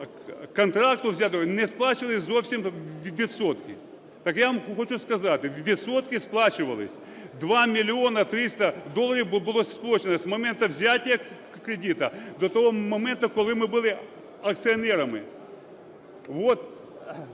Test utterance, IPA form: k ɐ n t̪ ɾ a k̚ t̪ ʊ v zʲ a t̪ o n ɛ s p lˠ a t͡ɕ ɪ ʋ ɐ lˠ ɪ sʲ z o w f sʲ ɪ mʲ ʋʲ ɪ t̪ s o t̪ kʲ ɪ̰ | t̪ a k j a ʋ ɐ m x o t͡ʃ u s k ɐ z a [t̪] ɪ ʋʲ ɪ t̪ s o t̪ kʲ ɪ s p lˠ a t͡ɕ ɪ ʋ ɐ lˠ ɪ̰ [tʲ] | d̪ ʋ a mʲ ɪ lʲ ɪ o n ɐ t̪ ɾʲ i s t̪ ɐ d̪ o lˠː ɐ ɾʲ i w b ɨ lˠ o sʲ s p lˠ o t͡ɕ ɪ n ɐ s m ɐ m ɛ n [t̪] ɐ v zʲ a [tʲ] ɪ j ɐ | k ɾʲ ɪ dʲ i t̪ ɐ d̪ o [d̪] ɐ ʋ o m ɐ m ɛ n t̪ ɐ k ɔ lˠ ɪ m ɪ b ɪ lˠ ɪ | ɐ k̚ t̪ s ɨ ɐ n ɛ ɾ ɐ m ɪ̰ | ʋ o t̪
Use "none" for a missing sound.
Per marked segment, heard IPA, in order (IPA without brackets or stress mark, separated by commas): t̪, sʲ, t̪, tʲ, t̪